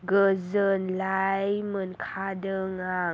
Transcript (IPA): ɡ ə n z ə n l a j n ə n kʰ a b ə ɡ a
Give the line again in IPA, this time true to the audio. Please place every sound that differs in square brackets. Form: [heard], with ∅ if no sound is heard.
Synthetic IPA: ɡ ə [∅] z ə n l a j [m] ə n kʰ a [d] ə [ŋ] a